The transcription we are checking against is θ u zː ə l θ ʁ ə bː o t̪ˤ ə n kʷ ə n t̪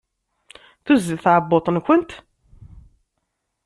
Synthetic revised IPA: θ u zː ə l θ ʕ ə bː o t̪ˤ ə n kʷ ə n t̪